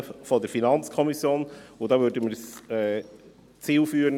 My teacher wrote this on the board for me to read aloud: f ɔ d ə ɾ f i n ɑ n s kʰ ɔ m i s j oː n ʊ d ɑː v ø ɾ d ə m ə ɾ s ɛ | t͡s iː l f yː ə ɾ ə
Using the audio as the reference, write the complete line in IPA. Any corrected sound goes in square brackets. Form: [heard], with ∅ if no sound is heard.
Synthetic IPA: f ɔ d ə ɾ f i n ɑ n [t͡s] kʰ ɔ m i s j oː n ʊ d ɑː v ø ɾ d ə m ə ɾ s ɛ | t͡s iː l f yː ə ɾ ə